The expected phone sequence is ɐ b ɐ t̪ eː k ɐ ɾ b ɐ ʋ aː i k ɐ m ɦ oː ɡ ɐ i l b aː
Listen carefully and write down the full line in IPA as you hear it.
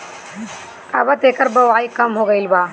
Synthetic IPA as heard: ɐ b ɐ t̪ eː k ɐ ɾ b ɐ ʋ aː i k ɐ m ɦ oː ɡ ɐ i l b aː